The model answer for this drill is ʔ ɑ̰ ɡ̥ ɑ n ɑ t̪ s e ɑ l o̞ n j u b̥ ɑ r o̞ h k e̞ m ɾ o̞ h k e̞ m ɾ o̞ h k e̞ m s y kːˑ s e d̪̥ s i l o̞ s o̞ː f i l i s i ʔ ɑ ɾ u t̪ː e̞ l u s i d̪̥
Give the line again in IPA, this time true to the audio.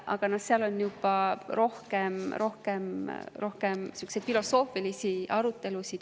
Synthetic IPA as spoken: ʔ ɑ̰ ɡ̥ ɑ n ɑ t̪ s e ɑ l o̞ n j u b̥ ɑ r o̞ h k e̞ m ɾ o̞ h k e̞ m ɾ o̞ h k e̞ m s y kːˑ s e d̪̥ f i l o̞ s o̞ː f i l i s i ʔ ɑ ɾ u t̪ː e̞ l u s i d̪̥